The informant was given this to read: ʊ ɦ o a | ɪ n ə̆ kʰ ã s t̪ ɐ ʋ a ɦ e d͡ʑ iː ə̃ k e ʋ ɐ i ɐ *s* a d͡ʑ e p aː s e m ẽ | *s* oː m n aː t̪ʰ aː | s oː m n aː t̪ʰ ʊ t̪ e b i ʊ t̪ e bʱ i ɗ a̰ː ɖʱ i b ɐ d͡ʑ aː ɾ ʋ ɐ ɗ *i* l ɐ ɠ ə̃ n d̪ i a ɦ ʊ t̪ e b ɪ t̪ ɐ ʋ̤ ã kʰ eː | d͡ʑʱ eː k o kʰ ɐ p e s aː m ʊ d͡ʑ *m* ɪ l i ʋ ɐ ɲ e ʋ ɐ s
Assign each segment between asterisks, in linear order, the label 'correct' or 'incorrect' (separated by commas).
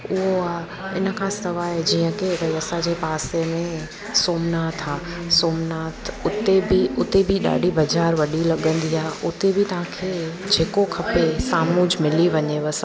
correct, correct, correct, correct